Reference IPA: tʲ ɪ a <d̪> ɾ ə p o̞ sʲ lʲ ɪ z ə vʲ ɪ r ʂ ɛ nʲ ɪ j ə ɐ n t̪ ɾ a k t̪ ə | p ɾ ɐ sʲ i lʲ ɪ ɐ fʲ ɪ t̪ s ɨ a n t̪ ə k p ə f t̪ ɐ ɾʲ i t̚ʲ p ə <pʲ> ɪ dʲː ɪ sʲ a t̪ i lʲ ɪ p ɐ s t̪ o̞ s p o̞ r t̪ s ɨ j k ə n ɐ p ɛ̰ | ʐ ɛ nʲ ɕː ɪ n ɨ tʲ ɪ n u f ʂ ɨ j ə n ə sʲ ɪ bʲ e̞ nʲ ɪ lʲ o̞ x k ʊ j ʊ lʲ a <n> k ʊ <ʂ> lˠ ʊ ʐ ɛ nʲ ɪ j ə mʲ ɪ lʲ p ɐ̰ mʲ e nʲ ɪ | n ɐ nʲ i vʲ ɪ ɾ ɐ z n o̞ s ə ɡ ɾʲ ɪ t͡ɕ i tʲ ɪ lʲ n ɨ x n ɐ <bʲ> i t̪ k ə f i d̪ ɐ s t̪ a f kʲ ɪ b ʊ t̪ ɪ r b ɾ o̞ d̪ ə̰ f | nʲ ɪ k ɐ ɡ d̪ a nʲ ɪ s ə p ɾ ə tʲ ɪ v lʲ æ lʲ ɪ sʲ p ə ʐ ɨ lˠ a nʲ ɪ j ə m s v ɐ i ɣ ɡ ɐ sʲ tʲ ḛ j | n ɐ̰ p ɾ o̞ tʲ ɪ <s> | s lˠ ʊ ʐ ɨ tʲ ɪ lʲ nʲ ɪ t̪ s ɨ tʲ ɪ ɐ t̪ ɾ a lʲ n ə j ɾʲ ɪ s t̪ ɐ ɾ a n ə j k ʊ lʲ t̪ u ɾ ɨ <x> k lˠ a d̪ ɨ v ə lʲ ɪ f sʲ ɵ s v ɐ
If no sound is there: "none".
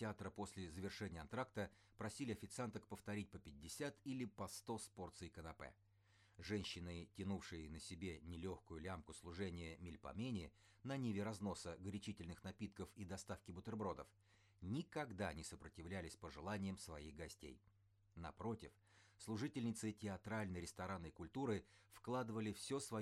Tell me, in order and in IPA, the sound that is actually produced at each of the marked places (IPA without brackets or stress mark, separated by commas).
t̪, pʲ, m, s, pʲ, f, f